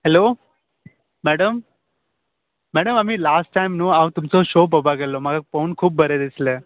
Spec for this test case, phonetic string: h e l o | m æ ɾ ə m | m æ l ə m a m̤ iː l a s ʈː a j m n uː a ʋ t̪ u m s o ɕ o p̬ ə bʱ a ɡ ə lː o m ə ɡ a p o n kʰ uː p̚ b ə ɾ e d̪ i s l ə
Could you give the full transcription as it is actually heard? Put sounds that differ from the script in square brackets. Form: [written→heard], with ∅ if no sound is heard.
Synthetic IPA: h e l o | m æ [ɾ→ɽ] ə m | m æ [l→ɽ] ə m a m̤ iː l a s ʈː a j m n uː a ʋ t̪ u m [s→t͡s] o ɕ o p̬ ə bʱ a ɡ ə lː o m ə ɡ a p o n kʰ uː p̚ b ə ɾ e d̪ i s l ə